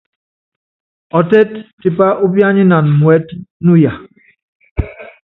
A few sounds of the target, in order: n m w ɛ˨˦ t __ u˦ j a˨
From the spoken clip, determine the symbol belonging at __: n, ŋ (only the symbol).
n